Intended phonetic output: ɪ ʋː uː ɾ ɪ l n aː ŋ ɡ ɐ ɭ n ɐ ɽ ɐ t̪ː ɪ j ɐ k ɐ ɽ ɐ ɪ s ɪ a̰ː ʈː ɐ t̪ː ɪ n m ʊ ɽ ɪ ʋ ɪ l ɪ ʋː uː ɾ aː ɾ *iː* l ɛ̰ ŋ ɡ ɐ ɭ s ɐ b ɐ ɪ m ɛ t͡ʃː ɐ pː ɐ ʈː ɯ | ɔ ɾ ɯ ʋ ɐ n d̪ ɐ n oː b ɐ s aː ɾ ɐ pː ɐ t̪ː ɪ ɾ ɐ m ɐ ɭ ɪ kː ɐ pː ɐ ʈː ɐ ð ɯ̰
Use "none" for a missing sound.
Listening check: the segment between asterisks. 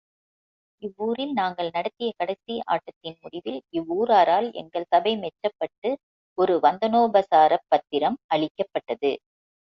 aː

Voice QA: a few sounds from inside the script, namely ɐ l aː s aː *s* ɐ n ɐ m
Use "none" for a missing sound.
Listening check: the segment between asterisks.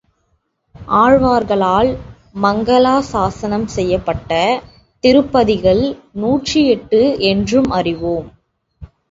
s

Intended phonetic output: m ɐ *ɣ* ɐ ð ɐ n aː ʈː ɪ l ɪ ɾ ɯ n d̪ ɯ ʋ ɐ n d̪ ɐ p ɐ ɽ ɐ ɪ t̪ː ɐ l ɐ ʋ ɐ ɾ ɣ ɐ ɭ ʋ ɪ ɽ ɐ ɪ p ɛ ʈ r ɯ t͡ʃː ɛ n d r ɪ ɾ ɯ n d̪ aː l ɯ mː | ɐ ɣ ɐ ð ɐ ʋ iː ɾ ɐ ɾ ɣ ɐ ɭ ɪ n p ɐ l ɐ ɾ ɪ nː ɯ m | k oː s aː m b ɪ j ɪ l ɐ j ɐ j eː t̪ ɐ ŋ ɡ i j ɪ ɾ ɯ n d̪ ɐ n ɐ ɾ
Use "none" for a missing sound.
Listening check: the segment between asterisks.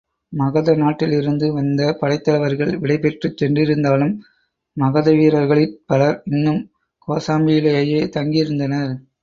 ɣ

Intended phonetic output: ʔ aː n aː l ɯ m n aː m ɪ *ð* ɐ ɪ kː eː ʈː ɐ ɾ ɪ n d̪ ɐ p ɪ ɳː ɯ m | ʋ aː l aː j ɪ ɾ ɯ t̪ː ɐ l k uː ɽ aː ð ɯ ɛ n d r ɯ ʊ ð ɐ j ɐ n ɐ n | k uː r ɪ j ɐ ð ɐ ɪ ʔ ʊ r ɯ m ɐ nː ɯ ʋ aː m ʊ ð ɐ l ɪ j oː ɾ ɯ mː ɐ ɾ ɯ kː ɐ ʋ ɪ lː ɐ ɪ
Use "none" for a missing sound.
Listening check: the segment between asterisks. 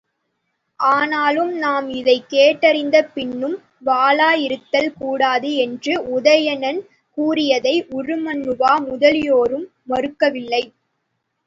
ð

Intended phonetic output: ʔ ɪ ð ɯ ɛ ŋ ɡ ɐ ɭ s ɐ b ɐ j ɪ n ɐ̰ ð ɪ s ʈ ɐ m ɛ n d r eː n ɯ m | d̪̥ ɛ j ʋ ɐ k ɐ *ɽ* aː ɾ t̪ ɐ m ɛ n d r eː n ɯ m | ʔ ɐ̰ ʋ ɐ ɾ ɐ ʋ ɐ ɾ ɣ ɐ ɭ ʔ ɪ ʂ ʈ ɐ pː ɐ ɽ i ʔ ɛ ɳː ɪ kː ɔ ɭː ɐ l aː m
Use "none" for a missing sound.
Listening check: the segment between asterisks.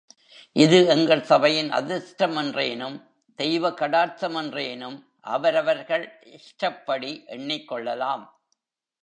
ɽ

